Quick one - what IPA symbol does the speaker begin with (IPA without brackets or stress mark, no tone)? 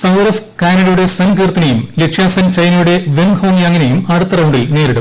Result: s